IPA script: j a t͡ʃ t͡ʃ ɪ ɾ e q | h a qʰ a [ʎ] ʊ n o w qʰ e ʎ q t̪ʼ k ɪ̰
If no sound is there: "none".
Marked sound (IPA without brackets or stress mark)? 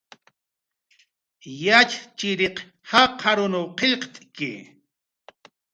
ɾ